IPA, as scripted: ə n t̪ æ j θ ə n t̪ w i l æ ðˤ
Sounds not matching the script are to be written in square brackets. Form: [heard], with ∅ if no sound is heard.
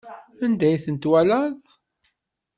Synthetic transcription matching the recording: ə n [d̪] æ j θ ə n t̪ w [æ] l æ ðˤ